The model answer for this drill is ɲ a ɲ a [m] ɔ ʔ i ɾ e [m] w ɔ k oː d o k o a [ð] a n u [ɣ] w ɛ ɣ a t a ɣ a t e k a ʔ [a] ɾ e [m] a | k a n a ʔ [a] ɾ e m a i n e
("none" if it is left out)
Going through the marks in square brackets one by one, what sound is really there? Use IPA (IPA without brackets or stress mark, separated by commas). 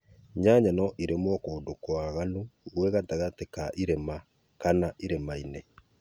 n, m, ɣ, ɣ, i, m, i